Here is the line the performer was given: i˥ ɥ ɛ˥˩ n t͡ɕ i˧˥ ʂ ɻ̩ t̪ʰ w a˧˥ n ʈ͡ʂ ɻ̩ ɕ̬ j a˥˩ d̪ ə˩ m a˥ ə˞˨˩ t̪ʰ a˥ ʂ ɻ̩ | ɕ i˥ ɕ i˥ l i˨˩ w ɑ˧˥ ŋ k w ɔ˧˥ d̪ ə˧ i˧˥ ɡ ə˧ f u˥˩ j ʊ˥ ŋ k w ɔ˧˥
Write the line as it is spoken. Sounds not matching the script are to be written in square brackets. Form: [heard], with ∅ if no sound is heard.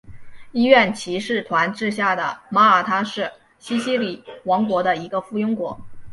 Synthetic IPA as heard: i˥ ɥ ɛ˥˩ n [t͡ɕʰ] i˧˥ ʂ ɻ̩ t̪ʰ w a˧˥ n ʈ͡ʂ ɻ̩ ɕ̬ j a˥˩ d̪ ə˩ m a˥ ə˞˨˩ t̪ʰ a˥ ʂ ɻ̩ | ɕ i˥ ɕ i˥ l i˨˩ w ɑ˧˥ ŋ k w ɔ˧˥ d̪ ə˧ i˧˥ ɡ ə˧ f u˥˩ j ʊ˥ ŋ k w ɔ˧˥